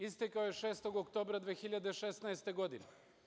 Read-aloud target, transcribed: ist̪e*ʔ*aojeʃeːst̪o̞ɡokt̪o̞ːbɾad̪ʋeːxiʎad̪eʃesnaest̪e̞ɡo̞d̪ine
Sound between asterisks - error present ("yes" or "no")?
yes